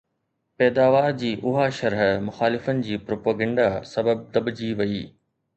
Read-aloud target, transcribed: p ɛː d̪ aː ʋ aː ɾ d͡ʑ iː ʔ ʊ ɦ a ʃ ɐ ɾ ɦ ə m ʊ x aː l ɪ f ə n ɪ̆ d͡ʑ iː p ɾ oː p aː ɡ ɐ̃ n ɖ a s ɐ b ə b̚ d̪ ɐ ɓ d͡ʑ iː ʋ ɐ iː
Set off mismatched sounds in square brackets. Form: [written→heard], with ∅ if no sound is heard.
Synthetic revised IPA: p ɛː d̪ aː ʋ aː ɾ d͡ʑ iː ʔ ʊ ɦ a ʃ ɐ ɾ ɦ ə m ʊ x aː l ɪ f ə n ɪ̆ d͡ʑ iː p ɾ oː p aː ɡ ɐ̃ [n→ɳ] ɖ a s ɐ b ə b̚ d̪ ɐ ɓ d͡ʑ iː ʋ ɐ iː